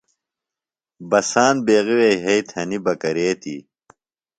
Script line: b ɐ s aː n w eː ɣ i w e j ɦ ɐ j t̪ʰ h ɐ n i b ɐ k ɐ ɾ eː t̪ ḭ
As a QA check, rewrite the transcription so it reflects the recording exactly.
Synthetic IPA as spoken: b ɐ s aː n b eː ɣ i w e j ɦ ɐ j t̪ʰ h ɐ n i b ɐ k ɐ ɾ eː t̪ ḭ